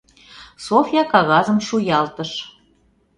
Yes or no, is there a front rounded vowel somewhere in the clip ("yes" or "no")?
no